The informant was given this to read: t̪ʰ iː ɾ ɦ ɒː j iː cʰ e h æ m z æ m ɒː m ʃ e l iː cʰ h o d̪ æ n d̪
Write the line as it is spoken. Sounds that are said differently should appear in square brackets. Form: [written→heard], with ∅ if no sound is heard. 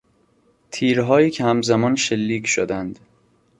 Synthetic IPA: t̪ʰ iː ɾ ɦ ɒː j iː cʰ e h æ m z æ m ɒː [m→n] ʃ e [l→lː] iː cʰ [h→ʃ] o d̪ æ n d̪